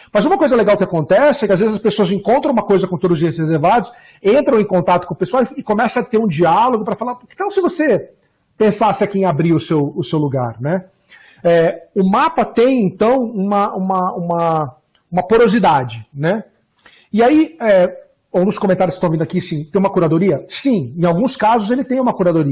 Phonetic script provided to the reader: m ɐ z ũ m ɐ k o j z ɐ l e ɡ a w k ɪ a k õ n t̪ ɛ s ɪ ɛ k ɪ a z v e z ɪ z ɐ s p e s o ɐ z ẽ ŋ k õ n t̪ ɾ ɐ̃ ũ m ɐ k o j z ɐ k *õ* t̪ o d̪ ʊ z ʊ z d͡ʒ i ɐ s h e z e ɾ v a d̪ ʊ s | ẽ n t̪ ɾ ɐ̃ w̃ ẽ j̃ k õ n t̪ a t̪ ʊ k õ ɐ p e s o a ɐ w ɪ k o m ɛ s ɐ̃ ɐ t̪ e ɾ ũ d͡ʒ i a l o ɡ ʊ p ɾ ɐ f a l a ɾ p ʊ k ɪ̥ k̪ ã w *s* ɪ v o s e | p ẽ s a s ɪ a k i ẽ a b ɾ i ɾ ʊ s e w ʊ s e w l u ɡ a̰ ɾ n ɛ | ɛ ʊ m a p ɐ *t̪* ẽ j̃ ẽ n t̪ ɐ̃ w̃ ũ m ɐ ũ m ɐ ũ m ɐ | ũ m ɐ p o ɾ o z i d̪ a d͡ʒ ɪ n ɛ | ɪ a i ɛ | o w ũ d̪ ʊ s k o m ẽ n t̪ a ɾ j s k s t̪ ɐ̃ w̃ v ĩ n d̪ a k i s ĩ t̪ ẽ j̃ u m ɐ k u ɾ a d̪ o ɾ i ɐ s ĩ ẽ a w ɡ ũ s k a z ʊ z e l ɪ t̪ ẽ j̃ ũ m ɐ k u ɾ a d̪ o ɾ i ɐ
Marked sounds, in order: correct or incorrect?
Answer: correct, correct, correct

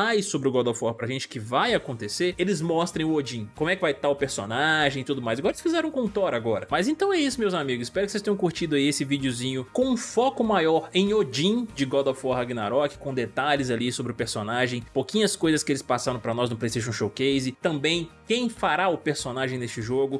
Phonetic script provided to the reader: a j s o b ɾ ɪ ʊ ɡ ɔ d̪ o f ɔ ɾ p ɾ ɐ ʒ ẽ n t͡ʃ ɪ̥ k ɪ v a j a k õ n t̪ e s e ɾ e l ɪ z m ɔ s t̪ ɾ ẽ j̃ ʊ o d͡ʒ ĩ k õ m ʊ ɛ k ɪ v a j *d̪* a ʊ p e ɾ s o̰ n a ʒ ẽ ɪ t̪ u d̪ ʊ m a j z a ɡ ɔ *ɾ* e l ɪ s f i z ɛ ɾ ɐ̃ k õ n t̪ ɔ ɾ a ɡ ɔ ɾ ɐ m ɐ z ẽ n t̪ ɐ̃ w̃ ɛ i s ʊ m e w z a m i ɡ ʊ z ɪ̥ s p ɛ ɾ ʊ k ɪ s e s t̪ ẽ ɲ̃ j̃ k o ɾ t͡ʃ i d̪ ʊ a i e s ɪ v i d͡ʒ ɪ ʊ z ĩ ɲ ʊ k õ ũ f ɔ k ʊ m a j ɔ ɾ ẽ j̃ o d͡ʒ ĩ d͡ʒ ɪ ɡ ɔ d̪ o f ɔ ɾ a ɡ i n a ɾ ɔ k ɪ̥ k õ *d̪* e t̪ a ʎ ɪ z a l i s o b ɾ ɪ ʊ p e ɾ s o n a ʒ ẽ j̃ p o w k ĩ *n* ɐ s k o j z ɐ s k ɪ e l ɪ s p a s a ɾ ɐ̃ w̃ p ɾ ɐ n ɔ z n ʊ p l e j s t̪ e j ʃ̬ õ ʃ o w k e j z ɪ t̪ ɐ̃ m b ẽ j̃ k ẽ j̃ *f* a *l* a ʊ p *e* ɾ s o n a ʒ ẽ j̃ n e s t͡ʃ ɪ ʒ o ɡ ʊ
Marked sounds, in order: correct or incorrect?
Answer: incorrect, correct, correct, incorrect, correct, incorrect, correct

